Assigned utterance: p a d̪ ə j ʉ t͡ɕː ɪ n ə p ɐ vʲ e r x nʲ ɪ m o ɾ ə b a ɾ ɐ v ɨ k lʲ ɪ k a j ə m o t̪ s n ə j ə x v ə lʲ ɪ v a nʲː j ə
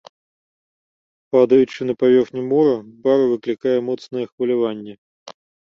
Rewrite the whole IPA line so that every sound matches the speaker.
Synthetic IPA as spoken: p a d̪ ə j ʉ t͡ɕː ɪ n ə p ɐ vʲ e r x nʲ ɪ m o ɾ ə b a ɾ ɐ v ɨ k lʲ ɪ k a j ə m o t̪ s n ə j ə x v ə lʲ ɪ v a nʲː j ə